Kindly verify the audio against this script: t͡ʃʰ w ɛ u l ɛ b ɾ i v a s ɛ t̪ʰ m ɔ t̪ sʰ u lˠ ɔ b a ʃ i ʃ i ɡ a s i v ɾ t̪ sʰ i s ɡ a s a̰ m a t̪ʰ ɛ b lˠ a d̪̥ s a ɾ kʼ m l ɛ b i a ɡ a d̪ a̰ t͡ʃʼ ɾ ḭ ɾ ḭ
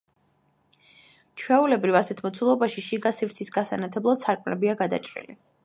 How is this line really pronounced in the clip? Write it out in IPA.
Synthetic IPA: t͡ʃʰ w ɛ u l ɛ b ɾ i v a s ɛ t̪ʰ m ɔ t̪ sʰ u lˠ ɔ b a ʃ i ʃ i ɡ a s i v ɾ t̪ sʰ i s ɡ a s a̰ n a t̪ʰ ɛ b lˠ a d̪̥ s a ɾ kʼ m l ɛ b i a ɡ a d̪ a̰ t͡ʃʼ ɾ ḭ l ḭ